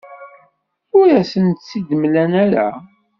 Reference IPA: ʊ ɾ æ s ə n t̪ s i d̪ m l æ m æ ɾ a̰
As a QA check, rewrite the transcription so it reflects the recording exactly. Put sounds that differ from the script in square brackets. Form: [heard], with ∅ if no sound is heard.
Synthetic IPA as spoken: ʊ ɾ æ s ə n t̪ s i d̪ m l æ [n] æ ɾ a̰